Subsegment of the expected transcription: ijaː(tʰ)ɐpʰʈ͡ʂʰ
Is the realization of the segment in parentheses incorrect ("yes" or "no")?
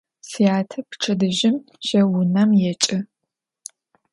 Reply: no